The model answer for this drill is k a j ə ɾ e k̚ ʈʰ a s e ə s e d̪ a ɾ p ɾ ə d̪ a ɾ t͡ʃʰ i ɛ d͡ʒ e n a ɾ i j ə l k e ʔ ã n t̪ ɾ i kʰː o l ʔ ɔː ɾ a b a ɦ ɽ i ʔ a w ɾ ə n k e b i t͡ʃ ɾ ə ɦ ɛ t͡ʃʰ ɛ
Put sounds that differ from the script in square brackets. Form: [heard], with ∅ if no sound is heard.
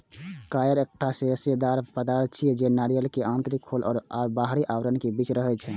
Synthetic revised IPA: k a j ə ɾ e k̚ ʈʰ a s e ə s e d̪ a ɾ p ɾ ə d̪ a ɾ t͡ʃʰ i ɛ d͡ʒ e n a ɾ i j ə l k e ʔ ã n t̪ ɾ i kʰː o l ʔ ɔː ɾ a b a ɦ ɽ i ʔ a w ɾ ə n k e b i t͡ʃ ɾ ə ɦ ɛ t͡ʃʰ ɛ

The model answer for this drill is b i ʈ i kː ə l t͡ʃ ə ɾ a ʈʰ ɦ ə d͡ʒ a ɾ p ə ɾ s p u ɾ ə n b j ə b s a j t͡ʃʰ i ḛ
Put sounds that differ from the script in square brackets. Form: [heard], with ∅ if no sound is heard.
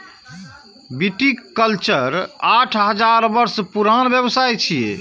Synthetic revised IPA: b i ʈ i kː ə l t͡ʃ ə ɾ a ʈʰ ɦ ə d͡ʒ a ɾ [b] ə ɾ s p u ɾ [a] n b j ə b s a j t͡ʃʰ i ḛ

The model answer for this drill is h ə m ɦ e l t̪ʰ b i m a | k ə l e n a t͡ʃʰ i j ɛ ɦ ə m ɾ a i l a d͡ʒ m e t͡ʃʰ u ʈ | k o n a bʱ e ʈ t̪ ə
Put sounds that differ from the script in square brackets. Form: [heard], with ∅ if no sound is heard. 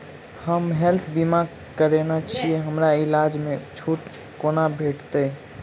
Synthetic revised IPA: h ə m ɦ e l t̪ʰ b i m a | k ə [ɾ] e n a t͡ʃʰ i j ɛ ɦ ə m ɾ a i l a d͡ʒ m e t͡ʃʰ u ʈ | k o n a bʱ e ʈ t̪ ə

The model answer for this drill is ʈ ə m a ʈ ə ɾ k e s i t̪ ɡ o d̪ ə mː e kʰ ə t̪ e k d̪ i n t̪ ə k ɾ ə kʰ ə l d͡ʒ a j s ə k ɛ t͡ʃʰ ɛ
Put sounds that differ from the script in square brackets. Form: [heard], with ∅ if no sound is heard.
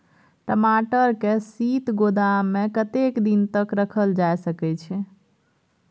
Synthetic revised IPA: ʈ ə m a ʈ ə ɾ k e s i t̪ ɡ o d̪ [a] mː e [k] ə t̪ e k d̪ i n t̪ ə k ɾ ə kʰ ə l d͡ʒ a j s ə k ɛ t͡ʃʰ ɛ

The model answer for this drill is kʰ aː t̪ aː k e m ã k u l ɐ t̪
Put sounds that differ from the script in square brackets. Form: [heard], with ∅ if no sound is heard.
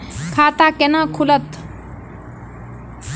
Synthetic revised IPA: kʰ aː t̪ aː k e [n] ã [kʰ] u l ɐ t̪

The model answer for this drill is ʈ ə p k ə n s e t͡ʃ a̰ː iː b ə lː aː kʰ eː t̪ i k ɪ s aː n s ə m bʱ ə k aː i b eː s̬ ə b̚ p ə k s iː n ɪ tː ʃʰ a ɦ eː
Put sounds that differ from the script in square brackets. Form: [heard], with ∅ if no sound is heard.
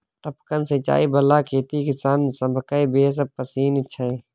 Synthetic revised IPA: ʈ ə p k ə n s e t͡ʃ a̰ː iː b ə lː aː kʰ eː t̪ i k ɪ s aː n s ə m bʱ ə k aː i b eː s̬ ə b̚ p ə [∅] s iː n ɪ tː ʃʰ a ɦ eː

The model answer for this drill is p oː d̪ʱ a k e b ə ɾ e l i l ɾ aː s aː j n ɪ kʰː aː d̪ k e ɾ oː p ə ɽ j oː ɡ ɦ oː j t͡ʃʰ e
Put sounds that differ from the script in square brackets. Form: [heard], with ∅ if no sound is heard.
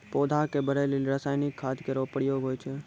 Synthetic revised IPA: p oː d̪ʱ a k e b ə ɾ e l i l ɾ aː s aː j n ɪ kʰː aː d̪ k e ɾ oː p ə ɽ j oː ɡ ɦ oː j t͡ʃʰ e

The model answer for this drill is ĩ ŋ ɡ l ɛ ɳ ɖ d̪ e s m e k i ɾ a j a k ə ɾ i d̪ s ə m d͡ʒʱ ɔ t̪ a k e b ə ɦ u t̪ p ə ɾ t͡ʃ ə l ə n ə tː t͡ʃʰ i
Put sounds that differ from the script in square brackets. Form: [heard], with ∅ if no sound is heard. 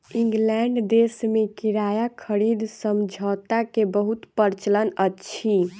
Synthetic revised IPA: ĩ ŋ ɡ l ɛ ɳ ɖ d̪ e s m e k i ɾ a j a [kʰ] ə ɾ i d̪ s ə m d͡ʒʱ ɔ t̪ a k e b ə ɦ u t̪ p ə ɾ t͡ʃ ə l ə n ə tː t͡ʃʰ i

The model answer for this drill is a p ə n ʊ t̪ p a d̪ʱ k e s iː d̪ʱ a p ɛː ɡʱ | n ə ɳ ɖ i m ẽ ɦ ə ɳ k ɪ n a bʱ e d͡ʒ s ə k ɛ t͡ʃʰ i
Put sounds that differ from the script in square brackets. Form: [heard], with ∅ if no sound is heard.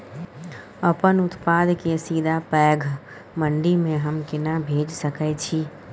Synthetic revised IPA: [ə] p ə n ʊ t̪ p a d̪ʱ k e s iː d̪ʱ a p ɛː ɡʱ | [m] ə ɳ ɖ i m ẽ ɦ ə [m] k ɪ n a bʱ e d͡ʒ s ə k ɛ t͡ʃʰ i

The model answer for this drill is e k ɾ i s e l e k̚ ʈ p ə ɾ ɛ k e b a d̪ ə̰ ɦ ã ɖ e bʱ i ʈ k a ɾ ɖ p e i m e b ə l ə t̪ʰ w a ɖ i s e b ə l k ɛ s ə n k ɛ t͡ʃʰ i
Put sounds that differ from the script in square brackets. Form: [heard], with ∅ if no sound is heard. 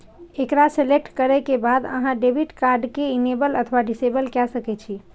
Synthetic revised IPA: e k ɾ [a] s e l e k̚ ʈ [k] ə ɾ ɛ k e b a d̪ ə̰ ɦ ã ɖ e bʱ i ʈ k a ɾ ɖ [k] e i [n] e b ə l ə t̪ʰ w a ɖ i s e b ə l k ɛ s ə [∅] k ɛ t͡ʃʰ i

